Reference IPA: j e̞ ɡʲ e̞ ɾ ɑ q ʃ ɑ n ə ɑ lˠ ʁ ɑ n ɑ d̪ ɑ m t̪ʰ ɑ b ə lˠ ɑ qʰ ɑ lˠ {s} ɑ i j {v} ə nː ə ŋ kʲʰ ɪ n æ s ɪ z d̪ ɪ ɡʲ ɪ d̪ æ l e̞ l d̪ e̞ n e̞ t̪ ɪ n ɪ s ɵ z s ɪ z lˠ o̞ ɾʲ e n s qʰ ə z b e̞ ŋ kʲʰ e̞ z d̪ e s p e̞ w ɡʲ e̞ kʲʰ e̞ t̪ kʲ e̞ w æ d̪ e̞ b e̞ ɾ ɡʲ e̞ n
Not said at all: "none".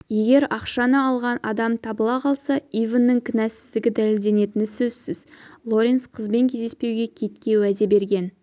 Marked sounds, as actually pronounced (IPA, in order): s, v

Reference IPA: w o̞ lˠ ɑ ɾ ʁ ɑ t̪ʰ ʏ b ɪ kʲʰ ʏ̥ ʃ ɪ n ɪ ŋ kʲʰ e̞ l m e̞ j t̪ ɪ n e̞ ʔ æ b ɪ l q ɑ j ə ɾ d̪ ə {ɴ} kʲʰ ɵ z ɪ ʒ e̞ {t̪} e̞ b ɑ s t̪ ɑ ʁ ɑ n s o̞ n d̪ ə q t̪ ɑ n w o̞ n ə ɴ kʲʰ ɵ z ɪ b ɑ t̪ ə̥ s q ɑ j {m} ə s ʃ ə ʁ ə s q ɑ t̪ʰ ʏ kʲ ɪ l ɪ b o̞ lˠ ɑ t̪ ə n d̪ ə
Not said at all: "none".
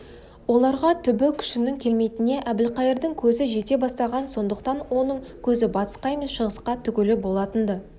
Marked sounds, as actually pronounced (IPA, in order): ŋ, t̪, m

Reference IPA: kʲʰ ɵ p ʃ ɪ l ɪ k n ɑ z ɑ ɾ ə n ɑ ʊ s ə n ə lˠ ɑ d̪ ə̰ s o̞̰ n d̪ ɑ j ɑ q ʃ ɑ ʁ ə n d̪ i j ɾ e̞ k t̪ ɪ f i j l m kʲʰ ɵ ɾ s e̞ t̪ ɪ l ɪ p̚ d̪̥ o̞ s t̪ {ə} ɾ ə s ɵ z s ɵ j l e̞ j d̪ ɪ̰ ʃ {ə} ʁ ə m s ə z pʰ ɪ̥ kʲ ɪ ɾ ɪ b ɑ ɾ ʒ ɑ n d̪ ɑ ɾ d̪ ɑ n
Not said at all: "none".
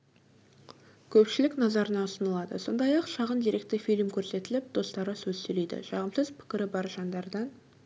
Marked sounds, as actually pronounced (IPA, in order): ɑ, ɑ

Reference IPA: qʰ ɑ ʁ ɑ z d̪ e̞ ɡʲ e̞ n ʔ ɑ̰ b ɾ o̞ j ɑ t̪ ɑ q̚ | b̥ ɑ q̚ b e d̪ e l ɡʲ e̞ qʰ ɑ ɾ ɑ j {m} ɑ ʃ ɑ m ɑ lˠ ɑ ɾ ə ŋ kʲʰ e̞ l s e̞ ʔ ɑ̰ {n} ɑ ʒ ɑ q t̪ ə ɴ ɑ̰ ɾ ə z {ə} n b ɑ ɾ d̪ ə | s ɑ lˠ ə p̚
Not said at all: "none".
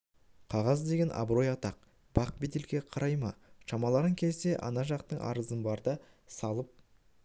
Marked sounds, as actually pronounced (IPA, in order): m, n, ə

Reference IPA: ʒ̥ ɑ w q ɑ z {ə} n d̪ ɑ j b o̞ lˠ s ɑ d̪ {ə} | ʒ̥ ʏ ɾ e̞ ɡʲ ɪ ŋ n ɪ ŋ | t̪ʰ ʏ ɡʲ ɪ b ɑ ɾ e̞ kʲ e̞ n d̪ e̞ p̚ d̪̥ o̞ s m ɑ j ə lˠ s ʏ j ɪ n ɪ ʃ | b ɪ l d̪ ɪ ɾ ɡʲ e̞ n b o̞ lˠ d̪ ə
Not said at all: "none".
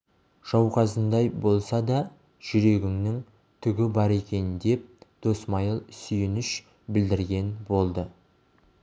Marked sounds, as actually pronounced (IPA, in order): ə, ɑ

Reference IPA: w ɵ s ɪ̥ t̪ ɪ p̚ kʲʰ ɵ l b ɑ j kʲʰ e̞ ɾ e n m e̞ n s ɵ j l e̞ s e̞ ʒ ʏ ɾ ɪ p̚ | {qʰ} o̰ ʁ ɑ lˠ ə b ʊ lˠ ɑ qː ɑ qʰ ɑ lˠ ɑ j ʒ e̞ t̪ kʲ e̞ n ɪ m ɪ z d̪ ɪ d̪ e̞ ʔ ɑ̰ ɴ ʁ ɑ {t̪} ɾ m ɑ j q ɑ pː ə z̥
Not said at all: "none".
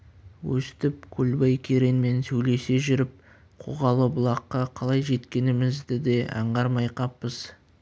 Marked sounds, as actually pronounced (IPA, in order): qʰ, none

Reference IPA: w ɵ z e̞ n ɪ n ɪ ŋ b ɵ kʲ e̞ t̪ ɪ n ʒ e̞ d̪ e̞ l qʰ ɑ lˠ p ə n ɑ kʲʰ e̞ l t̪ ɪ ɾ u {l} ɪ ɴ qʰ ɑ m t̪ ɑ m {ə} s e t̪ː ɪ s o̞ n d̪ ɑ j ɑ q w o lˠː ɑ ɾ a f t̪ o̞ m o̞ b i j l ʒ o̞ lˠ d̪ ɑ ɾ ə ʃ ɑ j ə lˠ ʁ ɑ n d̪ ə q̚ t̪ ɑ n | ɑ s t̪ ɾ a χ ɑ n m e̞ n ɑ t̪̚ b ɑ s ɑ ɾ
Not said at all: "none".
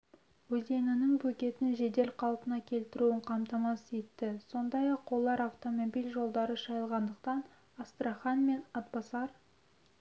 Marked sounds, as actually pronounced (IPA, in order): none, ɑ

